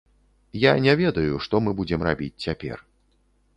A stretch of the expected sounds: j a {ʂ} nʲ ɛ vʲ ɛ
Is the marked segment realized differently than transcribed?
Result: yes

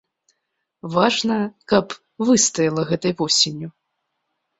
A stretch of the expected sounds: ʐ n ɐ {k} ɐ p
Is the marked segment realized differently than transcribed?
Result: no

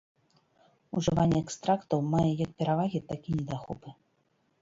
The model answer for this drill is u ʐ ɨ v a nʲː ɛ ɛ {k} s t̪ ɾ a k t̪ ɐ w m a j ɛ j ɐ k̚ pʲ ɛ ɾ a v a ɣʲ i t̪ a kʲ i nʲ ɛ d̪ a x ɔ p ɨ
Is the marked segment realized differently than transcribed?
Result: no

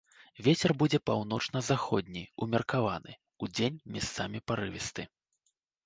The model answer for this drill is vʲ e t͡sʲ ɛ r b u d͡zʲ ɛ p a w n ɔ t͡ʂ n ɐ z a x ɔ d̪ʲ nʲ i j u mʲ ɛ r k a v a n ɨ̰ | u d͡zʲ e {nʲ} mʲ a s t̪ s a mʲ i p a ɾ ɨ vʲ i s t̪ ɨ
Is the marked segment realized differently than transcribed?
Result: no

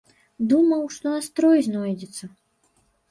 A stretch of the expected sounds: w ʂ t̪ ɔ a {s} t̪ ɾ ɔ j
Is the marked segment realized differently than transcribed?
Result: no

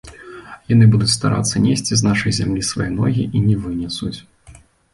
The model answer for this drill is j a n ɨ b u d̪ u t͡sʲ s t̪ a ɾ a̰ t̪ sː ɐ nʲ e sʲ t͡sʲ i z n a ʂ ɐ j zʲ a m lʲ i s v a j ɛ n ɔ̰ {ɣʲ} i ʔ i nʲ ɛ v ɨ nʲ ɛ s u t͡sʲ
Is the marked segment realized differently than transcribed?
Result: no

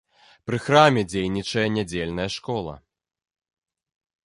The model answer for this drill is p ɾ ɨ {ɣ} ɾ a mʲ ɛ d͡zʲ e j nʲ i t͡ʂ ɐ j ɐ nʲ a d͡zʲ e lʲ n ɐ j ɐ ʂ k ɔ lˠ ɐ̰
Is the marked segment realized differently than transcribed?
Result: yes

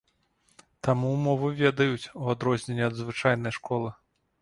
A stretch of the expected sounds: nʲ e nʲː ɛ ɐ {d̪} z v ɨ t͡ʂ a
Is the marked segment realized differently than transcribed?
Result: no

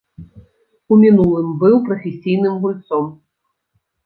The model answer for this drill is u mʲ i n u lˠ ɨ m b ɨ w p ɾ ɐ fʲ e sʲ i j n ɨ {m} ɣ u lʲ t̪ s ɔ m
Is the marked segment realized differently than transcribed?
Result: no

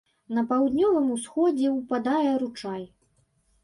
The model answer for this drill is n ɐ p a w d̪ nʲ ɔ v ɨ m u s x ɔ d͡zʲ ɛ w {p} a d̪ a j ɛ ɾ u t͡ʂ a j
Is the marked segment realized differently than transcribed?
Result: no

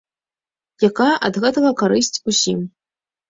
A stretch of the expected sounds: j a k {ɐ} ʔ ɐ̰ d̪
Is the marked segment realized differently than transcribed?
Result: yes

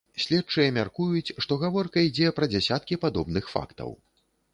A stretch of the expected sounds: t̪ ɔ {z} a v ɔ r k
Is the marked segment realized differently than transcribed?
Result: yes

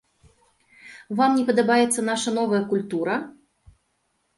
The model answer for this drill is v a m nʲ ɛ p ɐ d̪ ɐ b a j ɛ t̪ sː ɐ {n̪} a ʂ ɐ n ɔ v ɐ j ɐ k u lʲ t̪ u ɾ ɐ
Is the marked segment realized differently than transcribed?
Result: no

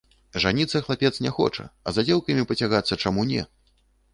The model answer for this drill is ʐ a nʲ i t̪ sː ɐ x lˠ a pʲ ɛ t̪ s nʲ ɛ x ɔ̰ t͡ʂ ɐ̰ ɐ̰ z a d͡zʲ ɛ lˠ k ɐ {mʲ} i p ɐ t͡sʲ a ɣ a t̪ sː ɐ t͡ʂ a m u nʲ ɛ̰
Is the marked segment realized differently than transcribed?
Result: no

